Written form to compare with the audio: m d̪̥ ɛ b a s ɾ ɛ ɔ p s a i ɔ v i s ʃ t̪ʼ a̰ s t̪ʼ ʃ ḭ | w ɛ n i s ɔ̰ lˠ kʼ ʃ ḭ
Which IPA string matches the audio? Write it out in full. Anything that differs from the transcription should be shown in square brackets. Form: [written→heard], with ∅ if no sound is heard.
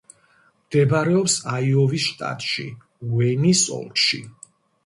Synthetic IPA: m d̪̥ ɛ b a [s→∅] ɾ ɛ ɔ p s a i ɔ v i s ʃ t̪ʼ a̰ [s→∅] t̪ʼ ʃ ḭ | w ɛ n i s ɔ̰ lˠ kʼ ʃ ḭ